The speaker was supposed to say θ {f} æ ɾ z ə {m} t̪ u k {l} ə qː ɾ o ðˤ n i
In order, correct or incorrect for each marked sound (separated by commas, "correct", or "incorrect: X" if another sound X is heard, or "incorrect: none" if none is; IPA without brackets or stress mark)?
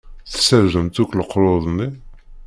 incorrect: s, correct, correct